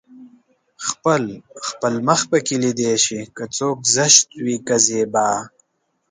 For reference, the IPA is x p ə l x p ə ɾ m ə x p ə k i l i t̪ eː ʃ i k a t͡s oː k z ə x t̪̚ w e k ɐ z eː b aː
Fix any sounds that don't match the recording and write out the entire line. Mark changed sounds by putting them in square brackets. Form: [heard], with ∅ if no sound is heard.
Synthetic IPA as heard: x p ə l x p ə [l] m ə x p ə k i l i [d̪] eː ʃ i k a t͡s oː k z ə [ʃ] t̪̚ w [i] k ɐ z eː b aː